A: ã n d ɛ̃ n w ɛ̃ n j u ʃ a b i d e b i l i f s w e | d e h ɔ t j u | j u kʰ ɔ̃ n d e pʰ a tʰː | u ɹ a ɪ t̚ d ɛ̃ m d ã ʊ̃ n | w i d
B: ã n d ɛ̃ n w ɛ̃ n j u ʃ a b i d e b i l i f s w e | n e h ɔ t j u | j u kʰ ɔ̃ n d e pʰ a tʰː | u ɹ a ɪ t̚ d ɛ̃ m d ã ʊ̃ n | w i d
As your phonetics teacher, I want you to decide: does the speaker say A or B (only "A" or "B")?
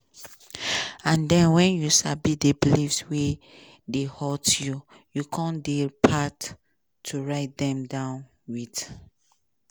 A